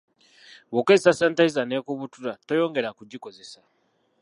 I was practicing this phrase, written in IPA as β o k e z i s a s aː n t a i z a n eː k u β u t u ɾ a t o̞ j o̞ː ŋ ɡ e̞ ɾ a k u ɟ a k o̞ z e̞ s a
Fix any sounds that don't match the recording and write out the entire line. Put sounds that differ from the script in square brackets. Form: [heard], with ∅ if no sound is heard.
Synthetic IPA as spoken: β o k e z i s a s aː n t a i z a n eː k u β u t u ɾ a t o̞ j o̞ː ŋ ɡ e̞ ɾ a k u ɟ [i] k o̞ z e̞ s a